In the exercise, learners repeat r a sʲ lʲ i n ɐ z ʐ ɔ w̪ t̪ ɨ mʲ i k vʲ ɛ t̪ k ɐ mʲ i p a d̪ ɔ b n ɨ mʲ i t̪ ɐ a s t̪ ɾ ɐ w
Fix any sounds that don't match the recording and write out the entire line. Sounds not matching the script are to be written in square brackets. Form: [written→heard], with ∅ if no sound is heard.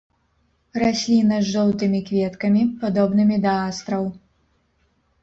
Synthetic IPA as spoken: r a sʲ lʲ i n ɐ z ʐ ɔ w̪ t̪ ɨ mʲ i k vʲ ɛ t̪ k ɐ mʲ i p a d̪ ɔ b n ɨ mʲ i [t̪→d̪] ɐ a s t̪ ɾ ɐ w